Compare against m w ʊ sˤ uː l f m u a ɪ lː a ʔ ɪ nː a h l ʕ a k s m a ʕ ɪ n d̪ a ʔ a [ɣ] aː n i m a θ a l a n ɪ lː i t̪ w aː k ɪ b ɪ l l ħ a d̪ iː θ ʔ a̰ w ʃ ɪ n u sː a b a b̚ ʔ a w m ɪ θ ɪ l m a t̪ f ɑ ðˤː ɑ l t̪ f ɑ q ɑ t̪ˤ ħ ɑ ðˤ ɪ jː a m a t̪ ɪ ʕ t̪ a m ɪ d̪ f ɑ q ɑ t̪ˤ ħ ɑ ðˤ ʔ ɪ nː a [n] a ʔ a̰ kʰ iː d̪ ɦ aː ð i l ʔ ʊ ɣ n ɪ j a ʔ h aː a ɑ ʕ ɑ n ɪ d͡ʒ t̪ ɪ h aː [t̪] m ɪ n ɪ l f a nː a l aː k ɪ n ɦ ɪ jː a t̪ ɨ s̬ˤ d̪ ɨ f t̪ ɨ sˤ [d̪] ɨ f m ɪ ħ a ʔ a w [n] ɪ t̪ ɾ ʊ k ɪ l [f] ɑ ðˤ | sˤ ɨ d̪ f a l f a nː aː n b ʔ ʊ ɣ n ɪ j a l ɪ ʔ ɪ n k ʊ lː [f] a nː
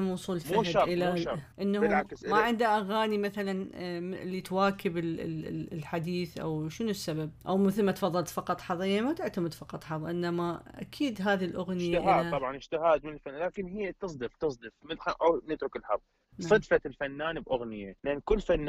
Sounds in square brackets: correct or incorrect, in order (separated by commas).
correct, incorrect, incorrect, correct, correct, incorrect, correct